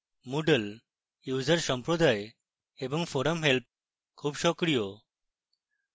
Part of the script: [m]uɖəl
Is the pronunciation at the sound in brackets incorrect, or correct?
correct